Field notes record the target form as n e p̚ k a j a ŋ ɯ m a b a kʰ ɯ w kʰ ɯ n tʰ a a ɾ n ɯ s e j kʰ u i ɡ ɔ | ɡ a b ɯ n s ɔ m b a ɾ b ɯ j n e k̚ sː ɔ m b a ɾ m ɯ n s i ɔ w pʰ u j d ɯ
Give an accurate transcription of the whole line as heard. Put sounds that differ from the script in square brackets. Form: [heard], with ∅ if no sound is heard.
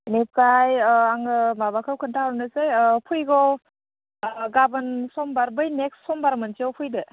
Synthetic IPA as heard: n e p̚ k a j a ŋ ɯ m a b a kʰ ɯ w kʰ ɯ n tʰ a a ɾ n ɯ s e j [pʰ] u [j] ɡ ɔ | ɡ a b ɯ n s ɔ m b a ɾ b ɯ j n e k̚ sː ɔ m b a ɾ m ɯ n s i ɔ w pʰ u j d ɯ